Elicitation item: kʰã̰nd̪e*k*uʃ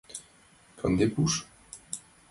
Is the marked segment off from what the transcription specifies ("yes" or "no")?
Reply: yes